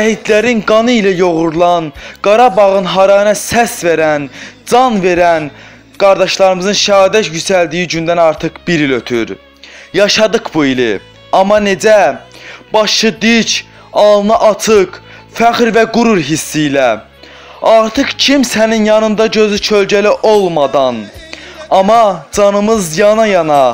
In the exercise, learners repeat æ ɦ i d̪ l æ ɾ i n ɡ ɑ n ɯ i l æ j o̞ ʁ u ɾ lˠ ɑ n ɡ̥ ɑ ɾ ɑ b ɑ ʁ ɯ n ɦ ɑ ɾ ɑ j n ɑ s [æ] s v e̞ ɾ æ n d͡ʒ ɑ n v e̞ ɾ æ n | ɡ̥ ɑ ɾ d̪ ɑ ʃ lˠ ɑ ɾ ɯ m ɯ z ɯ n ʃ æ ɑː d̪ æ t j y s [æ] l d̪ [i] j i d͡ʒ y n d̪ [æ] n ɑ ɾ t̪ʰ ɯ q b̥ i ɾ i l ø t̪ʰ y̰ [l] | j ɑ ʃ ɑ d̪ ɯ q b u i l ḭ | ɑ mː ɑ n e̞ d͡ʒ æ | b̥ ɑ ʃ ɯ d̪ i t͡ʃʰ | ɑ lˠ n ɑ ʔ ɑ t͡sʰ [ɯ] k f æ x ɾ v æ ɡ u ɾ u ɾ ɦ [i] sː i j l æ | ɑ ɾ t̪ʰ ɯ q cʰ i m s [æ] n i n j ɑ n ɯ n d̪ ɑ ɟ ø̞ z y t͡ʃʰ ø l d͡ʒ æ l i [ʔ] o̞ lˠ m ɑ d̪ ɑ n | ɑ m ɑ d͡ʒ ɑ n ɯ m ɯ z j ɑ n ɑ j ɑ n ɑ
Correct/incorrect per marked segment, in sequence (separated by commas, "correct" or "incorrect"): correct, correct, correct, correct, incorrect, correct, correct, correct, correct